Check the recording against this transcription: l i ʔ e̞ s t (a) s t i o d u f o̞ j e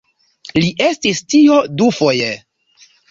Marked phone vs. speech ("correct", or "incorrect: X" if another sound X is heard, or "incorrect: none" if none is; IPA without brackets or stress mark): incorrect: i